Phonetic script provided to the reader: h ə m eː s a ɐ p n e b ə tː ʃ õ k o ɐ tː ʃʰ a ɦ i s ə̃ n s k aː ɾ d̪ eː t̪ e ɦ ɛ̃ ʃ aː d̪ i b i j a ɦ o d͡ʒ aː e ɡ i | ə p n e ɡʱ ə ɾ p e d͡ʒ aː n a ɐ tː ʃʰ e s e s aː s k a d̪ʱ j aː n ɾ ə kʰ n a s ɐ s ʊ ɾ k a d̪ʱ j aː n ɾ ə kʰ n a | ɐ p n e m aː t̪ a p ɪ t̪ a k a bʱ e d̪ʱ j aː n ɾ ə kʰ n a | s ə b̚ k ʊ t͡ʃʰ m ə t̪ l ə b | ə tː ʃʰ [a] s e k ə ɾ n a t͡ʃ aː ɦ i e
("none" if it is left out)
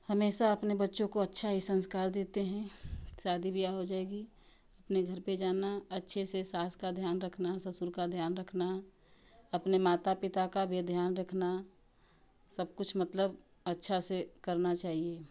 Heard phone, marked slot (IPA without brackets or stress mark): a